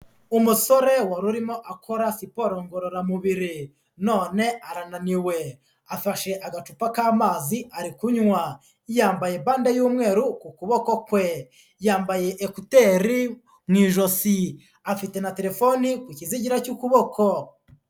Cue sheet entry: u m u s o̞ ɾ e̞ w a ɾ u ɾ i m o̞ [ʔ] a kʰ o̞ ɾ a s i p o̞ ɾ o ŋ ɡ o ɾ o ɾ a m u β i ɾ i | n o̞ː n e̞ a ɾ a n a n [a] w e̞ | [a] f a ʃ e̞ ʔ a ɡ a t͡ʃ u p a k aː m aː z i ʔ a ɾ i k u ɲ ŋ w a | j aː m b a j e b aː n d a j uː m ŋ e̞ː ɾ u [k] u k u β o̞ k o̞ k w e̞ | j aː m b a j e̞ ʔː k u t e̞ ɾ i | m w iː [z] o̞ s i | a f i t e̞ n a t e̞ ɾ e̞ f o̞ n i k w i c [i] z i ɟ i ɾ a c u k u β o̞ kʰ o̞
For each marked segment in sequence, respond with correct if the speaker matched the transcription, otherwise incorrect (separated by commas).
correct, incorrect, correct, correct, incorrect, correct